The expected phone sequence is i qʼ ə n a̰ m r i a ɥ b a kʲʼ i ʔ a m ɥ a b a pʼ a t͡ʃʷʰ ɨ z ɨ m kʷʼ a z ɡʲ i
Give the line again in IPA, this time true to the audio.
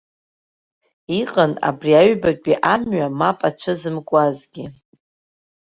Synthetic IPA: i qʼ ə n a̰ b r i a ɥ b a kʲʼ i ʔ a m ɥ a m a pʼ a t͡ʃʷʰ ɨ z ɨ m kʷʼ a z ɡʲ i